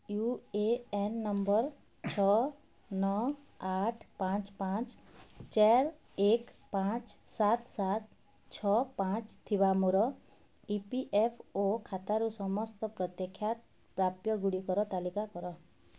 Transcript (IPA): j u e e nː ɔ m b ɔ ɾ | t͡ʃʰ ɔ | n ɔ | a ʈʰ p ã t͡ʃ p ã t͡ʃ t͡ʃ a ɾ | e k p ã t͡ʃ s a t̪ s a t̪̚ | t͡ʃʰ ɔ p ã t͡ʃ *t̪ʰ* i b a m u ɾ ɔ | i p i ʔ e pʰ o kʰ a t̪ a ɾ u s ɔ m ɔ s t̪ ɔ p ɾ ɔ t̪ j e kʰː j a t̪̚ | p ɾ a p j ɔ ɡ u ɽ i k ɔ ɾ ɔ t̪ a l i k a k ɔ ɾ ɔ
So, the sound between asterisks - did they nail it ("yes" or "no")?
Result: yes